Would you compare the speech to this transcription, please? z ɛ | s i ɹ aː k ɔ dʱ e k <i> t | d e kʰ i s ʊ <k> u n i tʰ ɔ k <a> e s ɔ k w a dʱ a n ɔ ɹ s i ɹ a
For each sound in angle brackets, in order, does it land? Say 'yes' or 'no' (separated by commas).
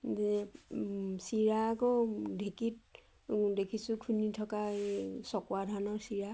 yes, no, yes